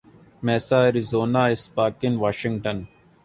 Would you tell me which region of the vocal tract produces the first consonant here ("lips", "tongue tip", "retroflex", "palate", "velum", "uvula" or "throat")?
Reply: lips